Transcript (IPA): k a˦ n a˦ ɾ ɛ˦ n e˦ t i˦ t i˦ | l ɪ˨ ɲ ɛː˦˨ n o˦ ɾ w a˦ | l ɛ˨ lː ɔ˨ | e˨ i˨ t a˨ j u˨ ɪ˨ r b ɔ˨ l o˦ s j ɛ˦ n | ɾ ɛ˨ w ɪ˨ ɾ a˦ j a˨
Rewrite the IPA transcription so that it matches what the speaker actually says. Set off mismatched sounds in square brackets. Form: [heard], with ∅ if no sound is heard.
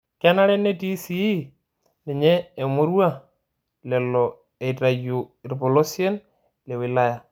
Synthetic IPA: k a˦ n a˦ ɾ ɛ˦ n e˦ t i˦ [s] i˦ | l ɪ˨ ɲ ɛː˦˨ [m] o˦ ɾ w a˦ | l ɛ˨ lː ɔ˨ | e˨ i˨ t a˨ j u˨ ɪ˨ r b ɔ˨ l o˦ s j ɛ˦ n | [l] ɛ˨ w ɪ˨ [l] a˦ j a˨

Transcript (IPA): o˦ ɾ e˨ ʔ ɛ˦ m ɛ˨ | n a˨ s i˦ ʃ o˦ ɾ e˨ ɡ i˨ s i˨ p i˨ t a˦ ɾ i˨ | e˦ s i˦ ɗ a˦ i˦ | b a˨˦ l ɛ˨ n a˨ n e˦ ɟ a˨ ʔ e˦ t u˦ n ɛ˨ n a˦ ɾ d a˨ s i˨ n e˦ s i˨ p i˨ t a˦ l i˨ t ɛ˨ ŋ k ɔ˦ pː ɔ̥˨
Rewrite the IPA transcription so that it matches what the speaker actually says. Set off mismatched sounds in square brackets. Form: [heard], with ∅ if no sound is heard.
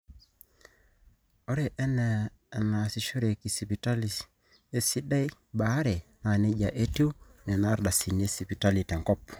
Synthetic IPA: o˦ ɾ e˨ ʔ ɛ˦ [n] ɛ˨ | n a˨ s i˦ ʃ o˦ ɾ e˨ [k] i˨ s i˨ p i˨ t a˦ [l] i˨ | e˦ s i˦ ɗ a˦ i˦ | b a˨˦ [ɾ] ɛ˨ n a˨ n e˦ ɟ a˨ ʔ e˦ t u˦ n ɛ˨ n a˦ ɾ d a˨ s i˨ n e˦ s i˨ p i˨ t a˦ l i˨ t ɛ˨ ŋ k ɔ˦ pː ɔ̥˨

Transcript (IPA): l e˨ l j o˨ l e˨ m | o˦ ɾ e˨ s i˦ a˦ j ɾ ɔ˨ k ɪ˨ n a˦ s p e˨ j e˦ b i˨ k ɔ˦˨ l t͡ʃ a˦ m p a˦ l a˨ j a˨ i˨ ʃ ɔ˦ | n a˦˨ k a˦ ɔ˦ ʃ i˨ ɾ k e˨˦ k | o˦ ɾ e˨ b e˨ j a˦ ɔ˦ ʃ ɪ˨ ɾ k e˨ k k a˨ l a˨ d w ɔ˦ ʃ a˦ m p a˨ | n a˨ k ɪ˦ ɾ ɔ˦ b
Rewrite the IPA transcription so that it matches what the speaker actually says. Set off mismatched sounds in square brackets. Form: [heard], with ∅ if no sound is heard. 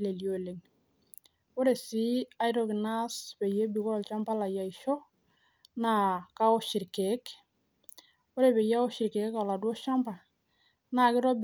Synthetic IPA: l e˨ l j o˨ l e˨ [ŋ] | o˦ ɾ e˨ s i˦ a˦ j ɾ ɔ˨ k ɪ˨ n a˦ s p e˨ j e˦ b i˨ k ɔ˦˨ l t͡ʃ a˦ m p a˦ l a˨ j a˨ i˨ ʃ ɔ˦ | n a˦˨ k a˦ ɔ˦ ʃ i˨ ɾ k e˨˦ k | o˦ ɾ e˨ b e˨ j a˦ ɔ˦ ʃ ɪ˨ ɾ k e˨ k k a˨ l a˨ d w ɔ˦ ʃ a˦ m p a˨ | n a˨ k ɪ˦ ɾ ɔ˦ b

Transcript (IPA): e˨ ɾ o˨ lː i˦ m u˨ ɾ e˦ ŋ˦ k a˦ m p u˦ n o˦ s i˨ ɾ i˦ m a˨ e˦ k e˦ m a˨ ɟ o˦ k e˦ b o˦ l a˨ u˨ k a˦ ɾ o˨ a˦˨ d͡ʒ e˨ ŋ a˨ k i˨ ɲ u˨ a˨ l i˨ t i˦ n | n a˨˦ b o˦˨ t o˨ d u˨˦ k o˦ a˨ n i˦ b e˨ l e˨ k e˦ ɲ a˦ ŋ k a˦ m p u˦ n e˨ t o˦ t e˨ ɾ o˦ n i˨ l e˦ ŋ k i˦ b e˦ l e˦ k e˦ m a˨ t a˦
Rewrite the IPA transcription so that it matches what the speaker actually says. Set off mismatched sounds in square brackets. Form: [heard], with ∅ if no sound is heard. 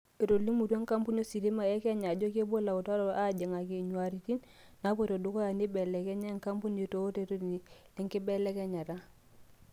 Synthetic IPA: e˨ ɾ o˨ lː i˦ m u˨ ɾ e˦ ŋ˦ k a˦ m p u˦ n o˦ s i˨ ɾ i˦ m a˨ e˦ k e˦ [ɲ] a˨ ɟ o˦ k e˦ b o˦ l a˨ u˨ [t] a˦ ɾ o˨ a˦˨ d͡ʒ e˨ ŋ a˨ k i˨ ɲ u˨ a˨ [ɾ] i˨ t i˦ n | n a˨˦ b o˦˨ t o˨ d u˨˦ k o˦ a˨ n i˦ b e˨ l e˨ k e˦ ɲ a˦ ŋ k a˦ m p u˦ n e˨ t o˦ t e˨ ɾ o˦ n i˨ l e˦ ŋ k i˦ b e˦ l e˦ k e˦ [ɲ] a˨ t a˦

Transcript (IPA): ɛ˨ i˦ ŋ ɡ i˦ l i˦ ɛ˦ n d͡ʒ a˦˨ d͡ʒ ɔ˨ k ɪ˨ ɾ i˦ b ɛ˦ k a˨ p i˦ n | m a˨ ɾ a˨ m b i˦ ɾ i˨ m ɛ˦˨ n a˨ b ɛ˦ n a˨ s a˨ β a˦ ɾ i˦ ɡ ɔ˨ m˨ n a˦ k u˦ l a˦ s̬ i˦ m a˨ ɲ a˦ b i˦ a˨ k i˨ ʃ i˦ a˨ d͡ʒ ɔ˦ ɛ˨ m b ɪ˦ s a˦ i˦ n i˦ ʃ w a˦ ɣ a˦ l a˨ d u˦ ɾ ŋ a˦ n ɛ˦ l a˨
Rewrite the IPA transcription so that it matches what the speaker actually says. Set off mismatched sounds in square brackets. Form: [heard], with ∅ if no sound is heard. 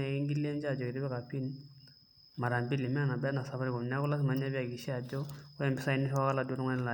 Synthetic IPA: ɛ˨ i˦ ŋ ɡ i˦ l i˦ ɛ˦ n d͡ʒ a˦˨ d͡ʒ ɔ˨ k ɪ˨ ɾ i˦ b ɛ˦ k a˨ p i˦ n | m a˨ ɾ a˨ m b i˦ [l] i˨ m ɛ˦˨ n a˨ b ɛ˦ n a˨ s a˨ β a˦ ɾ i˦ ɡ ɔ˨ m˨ n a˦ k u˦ l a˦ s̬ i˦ m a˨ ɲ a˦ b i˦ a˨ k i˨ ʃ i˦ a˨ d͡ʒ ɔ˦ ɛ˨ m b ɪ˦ s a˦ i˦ n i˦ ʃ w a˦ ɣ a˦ l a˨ d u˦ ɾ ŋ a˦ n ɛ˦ l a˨

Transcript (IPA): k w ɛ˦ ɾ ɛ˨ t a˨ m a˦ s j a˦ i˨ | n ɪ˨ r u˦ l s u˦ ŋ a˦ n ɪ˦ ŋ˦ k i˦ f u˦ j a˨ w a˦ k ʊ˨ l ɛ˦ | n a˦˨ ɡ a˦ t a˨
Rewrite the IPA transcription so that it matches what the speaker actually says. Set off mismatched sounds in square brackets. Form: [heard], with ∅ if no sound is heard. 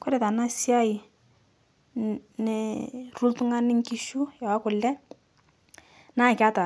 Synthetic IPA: k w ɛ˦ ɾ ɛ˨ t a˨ [n] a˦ s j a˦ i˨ | n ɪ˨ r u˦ l [t] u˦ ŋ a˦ n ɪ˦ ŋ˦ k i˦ [ʃ] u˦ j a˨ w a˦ k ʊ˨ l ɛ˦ | n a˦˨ [k] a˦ t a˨

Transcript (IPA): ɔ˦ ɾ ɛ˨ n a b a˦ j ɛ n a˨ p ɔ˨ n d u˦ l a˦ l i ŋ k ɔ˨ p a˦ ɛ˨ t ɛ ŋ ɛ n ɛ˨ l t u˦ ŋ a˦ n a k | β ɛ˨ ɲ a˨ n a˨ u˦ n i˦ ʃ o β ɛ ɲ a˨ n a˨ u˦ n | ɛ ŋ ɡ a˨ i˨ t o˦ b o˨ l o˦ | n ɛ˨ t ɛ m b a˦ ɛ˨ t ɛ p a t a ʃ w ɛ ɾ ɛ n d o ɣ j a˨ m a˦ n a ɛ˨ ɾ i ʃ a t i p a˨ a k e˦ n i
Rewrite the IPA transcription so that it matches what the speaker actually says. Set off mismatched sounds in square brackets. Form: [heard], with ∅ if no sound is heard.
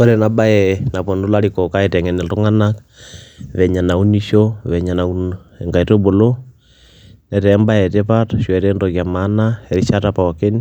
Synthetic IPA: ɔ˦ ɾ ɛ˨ n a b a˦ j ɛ n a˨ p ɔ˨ n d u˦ l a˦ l i [∅] k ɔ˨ [k] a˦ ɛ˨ t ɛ ŋ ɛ n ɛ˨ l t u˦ ŋ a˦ n a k | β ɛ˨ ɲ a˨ n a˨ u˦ n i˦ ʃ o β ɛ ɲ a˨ n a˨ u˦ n | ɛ ŋ ɡ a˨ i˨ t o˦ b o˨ l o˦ | n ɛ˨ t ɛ m b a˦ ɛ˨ t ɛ p a t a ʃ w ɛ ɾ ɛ n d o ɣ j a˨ m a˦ n a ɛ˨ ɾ i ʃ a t [a] p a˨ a k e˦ n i

